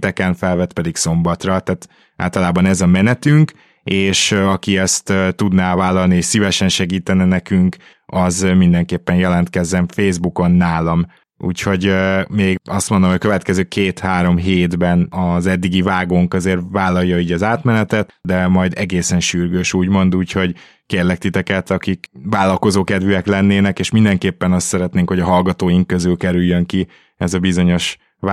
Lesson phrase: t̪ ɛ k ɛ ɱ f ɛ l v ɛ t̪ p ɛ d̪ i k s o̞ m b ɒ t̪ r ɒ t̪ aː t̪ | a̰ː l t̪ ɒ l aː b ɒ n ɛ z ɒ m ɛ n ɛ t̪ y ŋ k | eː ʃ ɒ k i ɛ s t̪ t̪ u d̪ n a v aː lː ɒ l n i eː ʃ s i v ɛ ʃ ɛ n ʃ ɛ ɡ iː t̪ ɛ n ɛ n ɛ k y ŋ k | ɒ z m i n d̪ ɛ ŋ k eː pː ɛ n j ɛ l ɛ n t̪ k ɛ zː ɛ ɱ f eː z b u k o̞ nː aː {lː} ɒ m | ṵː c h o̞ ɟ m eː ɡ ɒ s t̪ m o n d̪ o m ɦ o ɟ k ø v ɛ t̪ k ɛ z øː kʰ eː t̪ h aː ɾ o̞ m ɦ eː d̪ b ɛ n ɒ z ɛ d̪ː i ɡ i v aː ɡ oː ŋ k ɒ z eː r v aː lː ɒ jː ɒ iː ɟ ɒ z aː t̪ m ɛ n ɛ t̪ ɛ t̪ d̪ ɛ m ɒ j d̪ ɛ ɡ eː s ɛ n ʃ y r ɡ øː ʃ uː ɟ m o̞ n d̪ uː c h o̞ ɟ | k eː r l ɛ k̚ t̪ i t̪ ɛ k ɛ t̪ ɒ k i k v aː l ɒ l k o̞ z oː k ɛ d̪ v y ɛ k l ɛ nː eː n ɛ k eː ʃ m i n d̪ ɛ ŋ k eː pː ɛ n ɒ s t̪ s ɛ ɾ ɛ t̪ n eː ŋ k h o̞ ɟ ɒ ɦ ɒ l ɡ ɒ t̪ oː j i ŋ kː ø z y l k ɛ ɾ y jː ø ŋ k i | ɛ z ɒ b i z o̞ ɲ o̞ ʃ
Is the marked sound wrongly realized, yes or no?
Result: yes